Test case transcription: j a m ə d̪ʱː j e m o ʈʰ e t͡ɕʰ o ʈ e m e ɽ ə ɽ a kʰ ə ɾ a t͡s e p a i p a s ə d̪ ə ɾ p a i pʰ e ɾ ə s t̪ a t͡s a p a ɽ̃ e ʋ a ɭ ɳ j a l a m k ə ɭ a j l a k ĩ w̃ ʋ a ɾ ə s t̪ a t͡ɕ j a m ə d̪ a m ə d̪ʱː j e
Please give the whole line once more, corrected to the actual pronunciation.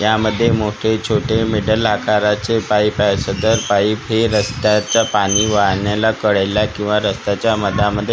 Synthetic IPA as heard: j a m ə d̪ʱː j e m o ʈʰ e t͡ɕʰ o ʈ e m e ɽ ə l a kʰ a ɾ a t͡s e p a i p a s ə d̪ ə ɾ p a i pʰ e ɾ ə s t̪ a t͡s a p a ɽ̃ i ʋ a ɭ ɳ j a l a k ə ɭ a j l a k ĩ w̃ ʋ a ɾ ə s t̪ a t͡ɕ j a m ə d̪ a m ə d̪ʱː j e